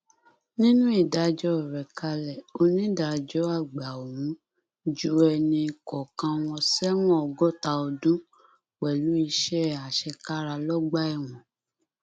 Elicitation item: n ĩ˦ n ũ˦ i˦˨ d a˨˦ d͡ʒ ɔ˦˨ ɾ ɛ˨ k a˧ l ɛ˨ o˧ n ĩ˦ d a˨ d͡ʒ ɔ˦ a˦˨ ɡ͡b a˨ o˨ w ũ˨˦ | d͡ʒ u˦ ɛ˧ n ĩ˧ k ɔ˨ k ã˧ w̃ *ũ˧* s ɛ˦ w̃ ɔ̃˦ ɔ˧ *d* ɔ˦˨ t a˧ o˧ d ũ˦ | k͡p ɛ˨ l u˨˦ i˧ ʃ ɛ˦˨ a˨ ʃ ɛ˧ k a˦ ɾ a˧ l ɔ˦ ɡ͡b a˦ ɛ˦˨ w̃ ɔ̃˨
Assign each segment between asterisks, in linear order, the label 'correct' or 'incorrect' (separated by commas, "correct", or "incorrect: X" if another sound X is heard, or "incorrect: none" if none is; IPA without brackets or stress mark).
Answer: incorrect: ɔ̃˧, incorrect: ɡ